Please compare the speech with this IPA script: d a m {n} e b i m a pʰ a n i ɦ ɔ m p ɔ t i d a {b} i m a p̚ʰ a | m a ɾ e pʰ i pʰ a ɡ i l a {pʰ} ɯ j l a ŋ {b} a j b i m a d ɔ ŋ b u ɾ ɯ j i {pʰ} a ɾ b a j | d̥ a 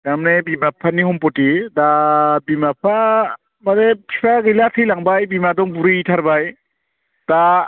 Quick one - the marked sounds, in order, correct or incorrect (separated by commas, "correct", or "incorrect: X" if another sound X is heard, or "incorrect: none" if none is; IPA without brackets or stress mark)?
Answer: correct, correct, incorrect: tʰ, correct, incorrect: tʰ